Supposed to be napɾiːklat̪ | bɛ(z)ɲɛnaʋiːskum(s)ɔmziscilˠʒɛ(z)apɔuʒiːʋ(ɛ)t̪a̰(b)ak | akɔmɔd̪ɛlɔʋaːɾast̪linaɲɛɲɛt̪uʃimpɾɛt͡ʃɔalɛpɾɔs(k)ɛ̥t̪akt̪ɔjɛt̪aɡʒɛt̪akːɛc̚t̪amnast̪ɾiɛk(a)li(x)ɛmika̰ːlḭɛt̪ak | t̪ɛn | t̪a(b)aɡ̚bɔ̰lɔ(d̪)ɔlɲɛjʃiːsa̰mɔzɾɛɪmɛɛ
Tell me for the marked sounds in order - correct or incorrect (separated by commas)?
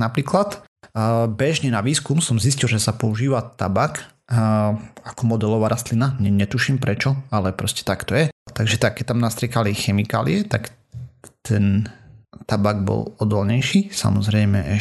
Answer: incorrect, correct, incorrect, incorrect, correct, incorrect, correct, correct, correct, correct